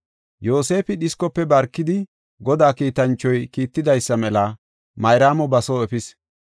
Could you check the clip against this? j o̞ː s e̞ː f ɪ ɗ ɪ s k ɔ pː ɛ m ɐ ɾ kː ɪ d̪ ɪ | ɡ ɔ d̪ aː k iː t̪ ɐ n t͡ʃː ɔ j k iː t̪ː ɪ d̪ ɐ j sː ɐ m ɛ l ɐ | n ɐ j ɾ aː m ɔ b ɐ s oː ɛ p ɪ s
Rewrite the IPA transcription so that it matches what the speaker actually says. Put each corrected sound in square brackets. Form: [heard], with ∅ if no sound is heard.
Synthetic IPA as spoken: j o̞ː s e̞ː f ɪ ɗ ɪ s k ɔ pː ɛ [b] ɐ ɾ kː ɪ d̪ ɪ | ɡ ɔ d̪ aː k iː t̪ ɐ n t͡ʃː ɔ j k iː t̪ː ɪ d̪ ɐ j sː ɐ m ɛ l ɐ | [m] ɐ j ɾ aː m ɔ b ɐ s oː ɛ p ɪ s